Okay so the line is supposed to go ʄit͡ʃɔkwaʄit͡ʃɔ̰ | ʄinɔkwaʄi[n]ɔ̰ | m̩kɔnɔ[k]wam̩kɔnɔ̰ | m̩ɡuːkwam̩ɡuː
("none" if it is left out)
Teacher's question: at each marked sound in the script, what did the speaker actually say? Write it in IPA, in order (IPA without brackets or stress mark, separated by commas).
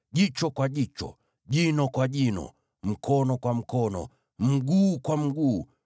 n, k